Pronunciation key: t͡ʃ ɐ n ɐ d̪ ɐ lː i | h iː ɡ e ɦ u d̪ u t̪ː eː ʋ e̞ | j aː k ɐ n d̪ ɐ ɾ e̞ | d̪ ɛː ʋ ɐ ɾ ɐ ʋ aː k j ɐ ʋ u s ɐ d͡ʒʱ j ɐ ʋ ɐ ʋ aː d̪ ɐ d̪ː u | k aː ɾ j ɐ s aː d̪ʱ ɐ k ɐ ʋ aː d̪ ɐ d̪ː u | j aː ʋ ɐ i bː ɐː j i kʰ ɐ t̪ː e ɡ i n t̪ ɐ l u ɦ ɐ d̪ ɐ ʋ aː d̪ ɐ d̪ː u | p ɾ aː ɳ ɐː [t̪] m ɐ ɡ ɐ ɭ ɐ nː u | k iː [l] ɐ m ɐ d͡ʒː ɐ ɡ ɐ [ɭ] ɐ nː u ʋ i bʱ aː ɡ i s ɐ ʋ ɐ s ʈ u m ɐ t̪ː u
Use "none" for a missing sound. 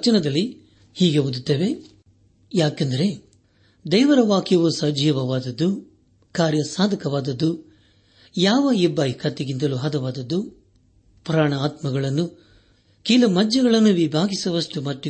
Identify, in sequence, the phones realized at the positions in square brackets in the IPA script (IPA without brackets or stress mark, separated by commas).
t̪, l, ɭ